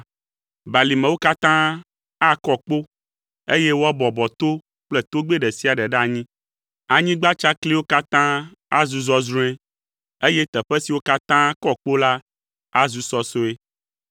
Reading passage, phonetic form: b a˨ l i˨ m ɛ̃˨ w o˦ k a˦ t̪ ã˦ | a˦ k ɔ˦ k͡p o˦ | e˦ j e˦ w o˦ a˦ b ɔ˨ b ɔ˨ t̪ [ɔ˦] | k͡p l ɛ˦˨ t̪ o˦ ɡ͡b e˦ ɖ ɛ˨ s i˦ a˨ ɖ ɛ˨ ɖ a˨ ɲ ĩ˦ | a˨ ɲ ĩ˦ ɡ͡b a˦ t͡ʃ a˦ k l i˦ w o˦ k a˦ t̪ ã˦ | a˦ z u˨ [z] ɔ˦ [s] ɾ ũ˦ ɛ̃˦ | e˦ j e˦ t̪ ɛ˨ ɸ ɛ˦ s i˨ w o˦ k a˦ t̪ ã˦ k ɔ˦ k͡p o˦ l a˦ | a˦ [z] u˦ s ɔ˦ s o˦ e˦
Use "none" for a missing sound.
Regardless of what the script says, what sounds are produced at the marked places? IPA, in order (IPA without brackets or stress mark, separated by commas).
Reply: o˦, z, z, z